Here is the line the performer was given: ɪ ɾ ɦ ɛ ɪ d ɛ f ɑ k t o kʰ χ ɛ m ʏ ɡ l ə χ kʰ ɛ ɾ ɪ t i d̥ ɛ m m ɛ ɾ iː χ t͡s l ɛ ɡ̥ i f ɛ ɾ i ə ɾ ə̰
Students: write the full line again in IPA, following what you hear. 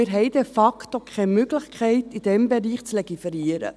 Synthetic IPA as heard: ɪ ɾ ɦ ɛ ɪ d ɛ f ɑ k t o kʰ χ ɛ m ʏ ɡ l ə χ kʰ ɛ ɪ t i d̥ ɛ m b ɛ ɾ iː χ t͡s l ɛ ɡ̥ i f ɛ ɾ i ə ɾ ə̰